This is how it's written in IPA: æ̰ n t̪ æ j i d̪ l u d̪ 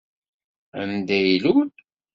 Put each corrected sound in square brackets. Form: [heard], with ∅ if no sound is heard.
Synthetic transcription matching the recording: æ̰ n [d̪] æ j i [∅] l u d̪